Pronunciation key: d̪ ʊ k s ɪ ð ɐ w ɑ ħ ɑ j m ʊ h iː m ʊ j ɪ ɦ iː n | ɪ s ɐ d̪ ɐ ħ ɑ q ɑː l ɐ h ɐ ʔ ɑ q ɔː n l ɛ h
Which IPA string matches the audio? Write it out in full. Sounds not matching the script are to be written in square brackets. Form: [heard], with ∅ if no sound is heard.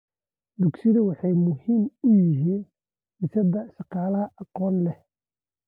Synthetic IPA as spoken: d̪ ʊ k s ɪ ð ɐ w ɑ ħ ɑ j m ʊ h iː m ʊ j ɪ ɦ iː n | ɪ s ɐ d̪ ɐ [ʃ] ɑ q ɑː l ɐ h ɐ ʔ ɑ q ɔː n l ɛ h